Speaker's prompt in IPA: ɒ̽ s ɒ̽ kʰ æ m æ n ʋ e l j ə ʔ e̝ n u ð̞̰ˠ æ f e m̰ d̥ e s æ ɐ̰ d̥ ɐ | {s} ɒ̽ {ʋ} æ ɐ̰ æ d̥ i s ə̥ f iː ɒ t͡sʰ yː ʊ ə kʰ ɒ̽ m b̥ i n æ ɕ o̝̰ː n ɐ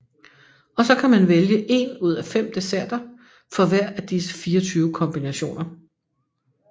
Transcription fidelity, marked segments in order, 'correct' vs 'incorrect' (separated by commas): incorrect, correct